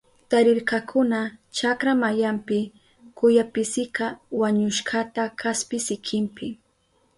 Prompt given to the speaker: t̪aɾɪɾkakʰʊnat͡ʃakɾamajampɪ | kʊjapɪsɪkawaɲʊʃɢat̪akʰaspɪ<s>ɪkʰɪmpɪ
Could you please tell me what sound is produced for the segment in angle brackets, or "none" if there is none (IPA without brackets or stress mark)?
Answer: s